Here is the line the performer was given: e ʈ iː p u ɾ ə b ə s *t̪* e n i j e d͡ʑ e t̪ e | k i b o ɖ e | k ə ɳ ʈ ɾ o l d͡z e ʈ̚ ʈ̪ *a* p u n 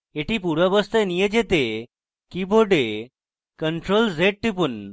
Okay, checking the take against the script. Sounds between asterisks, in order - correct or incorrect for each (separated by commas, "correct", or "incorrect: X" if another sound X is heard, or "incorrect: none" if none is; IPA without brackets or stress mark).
correct, incorrect: i